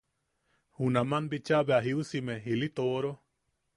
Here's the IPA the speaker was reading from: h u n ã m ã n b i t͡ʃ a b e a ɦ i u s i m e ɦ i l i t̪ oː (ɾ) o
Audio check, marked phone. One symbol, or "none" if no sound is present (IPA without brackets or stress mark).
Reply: ɾ